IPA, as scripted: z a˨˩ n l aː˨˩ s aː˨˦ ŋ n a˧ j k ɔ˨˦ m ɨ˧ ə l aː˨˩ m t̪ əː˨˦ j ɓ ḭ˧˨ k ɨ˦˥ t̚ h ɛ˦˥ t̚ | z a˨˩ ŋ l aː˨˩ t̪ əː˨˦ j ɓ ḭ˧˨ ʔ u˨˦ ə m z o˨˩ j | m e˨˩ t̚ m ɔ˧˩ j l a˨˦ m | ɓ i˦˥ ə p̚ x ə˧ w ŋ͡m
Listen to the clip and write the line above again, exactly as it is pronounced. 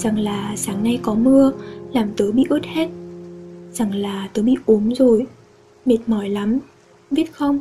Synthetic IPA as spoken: z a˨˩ ŋ l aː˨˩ s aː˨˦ ŋ n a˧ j k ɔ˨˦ m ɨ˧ ə l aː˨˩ m t̪ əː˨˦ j ɓ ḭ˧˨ ʔ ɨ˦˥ t̚ h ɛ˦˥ t̚ | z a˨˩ ŋ l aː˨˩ t̪ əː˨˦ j ɓ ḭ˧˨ ʔ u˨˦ ə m z o˨˩ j | m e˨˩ t̚ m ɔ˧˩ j l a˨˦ m | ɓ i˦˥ ə t̚ x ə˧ w ŋ͡m